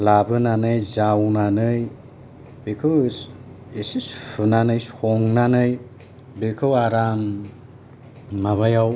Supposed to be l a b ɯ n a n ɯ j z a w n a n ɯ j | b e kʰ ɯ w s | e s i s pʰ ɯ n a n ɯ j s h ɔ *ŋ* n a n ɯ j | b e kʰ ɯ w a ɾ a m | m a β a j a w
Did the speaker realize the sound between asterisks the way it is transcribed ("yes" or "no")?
yes